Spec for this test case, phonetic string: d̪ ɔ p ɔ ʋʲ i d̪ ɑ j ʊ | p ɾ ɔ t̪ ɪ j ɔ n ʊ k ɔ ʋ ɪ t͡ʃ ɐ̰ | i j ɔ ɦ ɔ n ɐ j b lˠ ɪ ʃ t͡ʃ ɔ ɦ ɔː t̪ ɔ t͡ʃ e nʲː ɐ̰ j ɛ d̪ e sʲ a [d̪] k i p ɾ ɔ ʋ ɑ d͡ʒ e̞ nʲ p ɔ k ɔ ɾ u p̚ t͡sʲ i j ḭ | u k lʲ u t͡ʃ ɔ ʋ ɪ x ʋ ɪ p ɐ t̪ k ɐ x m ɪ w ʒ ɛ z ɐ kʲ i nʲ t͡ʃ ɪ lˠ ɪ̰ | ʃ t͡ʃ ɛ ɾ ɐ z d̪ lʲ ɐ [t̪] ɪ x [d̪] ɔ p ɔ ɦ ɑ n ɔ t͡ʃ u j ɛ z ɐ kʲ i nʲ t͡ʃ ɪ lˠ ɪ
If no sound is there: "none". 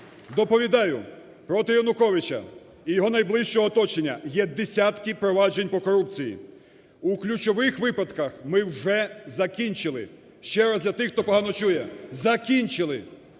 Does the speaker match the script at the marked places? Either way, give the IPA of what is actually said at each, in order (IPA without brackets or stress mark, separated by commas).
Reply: t̪, t̪, t̪